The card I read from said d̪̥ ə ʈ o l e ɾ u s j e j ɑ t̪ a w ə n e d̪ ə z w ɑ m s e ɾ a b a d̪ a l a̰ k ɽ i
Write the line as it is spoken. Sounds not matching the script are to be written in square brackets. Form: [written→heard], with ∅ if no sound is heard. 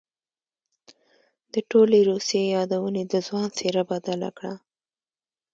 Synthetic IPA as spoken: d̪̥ ə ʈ o l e ɾ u s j e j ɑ [t̪→d̪] a w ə n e d̪ ə z w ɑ [m→n] s e ɾ a b a d̪ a l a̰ k ɽ [i→a]